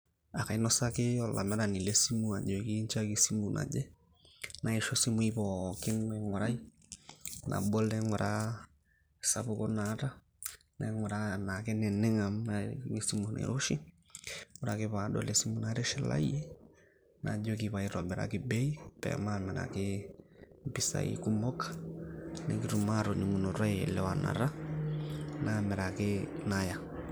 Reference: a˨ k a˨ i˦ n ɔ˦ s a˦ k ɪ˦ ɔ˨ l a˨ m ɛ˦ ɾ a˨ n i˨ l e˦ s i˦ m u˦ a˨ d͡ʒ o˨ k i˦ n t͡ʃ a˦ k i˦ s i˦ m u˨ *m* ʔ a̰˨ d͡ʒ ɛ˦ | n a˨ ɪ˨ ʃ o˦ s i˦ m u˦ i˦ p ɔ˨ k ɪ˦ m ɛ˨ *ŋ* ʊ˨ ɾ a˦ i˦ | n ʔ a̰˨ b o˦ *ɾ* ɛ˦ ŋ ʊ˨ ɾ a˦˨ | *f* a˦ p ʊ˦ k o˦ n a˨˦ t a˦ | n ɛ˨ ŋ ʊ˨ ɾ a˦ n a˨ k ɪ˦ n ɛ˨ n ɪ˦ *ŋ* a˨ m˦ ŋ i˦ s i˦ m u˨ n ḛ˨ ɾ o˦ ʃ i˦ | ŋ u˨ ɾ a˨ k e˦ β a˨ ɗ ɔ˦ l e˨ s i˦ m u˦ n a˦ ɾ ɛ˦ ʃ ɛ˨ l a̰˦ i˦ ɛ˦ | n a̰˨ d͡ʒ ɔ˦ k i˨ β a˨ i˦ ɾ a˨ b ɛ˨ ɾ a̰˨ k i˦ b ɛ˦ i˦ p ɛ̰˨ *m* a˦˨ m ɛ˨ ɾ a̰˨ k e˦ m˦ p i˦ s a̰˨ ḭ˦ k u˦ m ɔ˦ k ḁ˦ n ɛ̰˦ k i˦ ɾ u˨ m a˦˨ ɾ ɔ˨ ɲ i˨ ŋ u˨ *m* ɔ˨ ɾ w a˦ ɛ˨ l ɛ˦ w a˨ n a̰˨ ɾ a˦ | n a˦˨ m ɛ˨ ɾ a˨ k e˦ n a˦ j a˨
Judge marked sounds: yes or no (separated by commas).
no, yes, no, no, yes, yes, no